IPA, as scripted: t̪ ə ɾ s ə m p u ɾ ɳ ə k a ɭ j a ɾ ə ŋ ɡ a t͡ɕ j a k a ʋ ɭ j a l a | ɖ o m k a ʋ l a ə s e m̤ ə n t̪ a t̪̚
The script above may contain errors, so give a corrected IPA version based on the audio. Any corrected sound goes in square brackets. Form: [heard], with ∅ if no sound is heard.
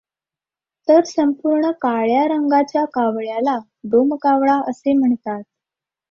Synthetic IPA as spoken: t̪ ə ɾ s ə m p u ɾ ɳ ə k a ɭ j a ɾ ə ŋ ɡ a t͡ɕ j a k a ʋ ɭ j a l a | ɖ o m k a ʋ [ɭ] a ə s e m̤ ə [ɳ] t̪ a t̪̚